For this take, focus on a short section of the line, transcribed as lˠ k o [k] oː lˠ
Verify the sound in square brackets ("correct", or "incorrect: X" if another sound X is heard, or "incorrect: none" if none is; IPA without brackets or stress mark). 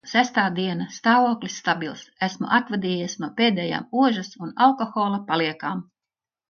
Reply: incorrect: x